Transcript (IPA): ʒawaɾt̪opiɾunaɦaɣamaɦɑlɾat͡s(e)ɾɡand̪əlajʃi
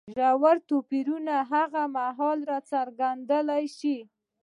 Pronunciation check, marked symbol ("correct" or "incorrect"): incorrect